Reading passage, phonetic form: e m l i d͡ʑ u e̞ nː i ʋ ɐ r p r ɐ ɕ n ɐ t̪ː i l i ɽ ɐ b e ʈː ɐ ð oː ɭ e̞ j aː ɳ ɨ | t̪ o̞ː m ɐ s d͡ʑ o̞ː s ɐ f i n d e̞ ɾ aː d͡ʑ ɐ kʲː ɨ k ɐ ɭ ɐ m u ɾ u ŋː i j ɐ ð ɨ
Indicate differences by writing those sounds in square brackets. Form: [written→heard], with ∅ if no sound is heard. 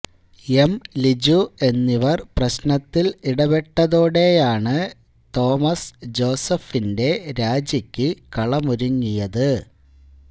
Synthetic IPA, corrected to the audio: e m l i d͡ʑ u e̞ nː i ʋ ɐ r p r ɐ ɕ n ɐ t̪ː i l i ɽ ɐ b e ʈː ɐ ð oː [ɭ→ɽ] e̞ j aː ɳ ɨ | t̪ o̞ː m ɐ s d͡ʑ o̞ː s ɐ f i n d e̞ ɾ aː d͡ʑ ɐ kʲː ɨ k ɐ ɭ ɐ m u ɾ u ŋː i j ɐ ð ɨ